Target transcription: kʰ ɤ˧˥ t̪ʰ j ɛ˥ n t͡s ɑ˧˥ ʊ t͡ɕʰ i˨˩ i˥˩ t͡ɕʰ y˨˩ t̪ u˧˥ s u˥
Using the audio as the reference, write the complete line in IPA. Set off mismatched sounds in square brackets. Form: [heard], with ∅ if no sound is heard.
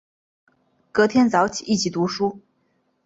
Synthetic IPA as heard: [k] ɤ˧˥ t̪ʰ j ɛ˥ n t͡s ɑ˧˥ ʊ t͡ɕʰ i˨˩ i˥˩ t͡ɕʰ [i˨˩] t̪ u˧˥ [ʂ] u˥